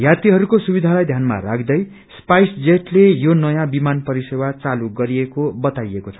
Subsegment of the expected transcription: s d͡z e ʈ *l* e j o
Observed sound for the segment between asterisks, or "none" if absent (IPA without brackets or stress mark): l